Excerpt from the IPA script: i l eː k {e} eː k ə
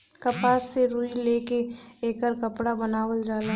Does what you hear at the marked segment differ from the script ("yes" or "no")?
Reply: no